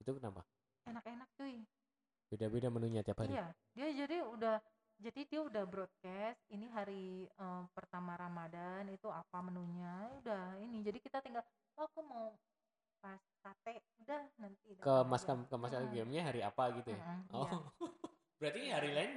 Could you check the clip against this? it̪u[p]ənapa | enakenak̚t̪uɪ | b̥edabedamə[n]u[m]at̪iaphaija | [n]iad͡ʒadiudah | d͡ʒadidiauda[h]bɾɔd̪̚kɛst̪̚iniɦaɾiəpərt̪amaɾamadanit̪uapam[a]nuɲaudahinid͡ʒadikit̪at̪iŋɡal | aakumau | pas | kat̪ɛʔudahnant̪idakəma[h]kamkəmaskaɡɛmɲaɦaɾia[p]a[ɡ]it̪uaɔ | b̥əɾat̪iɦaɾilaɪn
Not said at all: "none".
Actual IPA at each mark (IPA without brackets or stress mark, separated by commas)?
k, n, ɲ, d, h, ə, s, p, ɡ